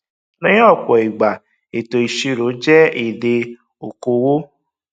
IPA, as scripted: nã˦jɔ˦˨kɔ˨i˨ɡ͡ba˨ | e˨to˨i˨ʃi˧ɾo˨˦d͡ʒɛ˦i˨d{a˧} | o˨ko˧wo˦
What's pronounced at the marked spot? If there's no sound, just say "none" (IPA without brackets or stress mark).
e˧